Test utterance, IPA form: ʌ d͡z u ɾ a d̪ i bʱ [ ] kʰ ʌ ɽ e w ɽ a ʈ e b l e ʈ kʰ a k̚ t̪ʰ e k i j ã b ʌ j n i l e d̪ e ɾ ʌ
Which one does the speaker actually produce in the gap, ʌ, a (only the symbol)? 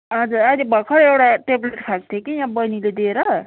ʌ